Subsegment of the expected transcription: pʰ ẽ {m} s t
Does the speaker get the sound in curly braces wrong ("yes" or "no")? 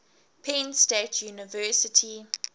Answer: yes